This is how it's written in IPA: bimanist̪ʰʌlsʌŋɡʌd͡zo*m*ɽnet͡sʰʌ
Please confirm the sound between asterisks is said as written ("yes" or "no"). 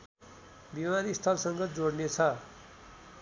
no